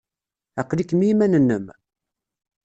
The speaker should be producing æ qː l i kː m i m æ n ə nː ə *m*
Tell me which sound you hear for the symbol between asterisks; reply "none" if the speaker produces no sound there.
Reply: m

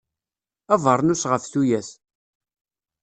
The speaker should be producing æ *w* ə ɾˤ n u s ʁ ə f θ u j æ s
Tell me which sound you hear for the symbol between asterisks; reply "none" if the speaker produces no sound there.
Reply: v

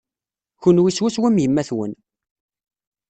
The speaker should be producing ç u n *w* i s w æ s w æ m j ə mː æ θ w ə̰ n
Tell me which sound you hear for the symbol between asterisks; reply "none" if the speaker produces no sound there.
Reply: w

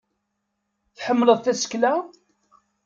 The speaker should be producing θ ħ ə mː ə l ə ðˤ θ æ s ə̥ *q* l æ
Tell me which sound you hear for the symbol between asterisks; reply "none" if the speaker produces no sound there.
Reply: k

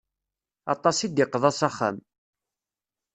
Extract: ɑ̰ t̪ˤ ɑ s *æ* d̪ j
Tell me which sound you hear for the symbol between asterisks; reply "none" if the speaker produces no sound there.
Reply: i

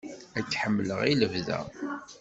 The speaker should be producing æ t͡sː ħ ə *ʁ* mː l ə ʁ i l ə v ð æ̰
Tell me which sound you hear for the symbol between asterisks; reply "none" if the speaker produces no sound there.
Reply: none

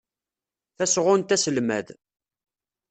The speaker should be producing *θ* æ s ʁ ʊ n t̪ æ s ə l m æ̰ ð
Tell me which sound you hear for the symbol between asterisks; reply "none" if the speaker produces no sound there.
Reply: θ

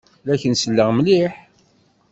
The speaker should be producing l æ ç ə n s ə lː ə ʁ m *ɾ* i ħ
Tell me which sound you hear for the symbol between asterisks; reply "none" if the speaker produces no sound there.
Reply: l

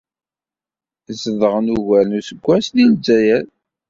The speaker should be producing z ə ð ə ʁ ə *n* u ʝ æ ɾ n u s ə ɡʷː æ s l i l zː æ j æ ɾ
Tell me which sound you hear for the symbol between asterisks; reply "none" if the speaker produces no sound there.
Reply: n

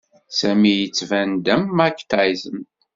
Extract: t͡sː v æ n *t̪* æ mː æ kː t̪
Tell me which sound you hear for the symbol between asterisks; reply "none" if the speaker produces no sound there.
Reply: d̪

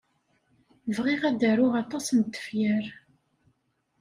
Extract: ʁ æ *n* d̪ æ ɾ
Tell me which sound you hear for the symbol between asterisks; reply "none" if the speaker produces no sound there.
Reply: none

